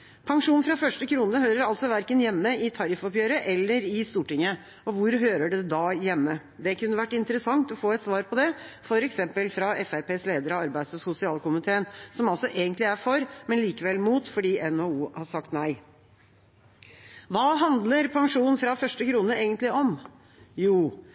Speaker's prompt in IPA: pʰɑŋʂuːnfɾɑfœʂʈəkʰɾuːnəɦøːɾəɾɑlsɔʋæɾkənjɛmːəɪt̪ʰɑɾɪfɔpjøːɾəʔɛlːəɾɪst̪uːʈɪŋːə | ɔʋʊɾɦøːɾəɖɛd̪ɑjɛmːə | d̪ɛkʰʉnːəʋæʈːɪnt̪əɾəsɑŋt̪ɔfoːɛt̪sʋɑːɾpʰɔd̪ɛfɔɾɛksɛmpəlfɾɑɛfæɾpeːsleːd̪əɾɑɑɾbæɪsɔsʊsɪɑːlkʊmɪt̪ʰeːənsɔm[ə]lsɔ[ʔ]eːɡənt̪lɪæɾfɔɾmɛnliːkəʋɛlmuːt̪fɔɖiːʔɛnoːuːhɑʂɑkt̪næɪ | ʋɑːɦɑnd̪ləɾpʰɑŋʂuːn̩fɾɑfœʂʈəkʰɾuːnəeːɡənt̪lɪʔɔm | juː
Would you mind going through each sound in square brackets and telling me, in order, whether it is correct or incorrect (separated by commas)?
incorrect, correct